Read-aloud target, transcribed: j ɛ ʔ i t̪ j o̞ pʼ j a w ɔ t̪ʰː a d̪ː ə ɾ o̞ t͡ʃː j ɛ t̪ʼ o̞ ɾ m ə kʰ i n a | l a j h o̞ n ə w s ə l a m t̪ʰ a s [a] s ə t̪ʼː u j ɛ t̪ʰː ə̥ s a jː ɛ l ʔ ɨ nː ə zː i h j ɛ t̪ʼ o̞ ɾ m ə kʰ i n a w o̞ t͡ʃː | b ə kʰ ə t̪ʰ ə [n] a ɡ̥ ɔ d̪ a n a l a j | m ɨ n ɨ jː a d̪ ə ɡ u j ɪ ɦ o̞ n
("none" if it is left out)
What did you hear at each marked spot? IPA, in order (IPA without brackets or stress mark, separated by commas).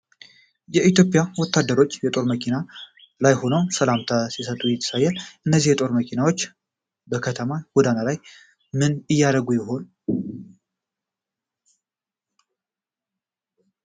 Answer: i, m